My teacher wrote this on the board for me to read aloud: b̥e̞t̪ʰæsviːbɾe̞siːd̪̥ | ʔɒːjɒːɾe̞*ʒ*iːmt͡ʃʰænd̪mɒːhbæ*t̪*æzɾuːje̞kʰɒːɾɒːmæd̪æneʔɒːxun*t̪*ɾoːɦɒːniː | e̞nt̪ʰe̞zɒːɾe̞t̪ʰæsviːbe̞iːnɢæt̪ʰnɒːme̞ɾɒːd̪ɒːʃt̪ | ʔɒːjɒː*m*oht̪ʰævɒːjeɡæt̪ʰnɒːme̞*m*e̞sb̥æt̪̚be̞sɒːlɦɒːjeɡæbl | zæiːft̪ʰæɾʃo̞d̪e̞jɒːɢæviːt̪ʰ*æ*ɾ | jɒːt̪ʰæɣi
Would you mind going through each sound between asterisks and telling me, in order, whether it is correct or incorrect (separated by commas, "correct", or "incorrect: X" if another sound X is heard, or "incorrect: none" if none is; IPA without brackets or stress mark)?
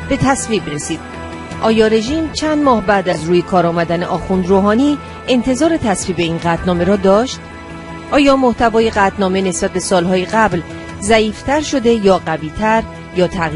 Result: correct, incorrect: d̪, incorrect: d̪, correct, incorrect: n, correct